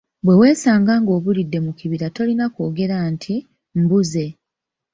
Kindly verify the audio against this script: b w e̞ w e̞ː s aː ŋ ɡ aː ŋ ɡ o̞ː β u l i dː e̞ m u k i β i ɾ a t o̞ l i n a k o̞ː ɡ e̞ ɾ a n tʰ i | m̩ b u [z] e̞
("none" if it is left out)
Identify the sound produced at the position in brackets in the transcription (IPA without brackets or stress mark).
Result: z